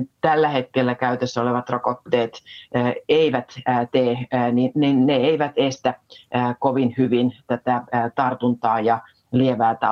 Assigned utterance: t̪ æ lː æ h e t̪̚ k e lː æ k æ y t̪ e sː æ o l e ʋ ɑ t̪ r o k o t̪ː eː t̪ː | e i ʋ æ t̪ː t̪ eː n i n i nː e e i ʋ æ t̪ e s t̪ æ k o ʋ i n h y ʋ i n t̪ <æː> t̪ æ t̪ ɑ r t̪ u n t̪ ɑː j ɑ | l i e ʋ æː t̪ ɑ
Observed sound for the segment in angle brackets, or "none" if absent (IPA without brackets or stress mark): æ